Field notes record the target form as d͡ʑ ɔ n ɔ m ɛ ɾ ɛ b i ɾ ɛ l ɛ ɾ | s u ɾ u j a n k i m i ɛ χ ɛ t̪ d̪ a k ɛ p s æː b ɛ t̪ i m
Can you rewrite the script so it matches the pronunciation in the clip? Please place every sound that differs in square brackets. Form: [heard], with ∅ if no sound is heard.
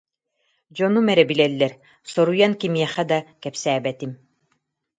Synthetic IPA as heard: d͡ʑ ɔ n [u] m ɛ ɾ ɛ b i [l] ɛ [lː] ɛ ɾ | s [ɔ] ɾ u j a n k i m i ɛ χ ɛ [∅] d̪ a k ɛ p s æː b ɛ t̪ i m